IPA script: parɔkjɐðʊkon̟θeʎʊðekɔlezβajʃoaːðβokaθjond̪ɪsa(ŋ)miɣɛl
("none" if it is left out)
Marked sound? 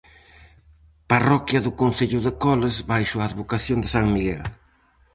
ŋ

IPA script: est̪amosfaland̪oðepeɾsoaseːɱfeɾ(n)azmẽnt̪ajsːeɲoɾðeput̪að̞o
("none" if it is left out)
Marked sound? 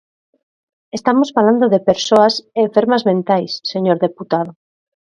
m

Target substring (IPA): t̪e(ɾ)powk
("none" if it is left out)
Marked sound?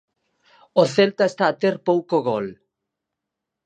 ɾ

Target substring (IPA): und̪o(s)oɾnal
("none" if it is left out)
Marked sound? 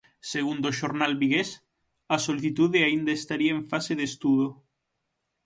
ʃ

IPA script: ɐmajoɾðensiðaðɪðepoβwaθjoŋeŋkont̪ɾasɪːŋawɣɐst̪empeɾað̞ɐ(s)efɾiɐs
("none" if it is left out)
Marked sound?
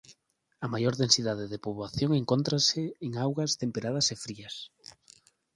s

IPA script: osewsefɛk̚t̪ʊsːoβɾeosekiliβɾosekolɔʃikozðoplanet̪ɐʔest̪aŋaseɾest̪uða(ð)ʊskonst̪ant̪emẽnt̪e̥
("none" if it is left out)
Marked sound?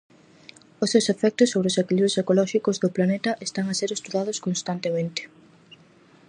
ð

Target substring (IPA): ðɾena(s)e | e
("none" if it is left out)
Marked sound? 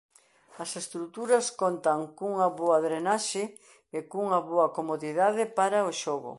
ʃ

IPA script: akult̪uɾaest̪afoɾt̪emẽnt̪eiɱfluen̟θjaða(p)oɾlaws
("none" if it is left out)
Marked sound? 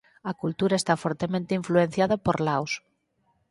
p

